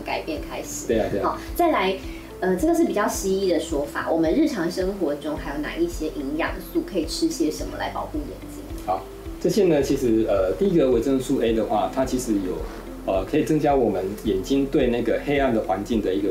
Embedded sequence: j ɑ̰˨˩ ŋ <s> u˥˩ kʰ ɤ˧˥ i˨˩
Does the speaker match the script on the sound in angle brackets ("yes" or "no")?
yes